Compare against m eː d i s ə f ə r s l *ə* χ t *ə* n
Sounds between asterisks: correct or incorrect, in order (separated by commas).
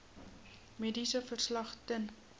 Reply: incorrect, correct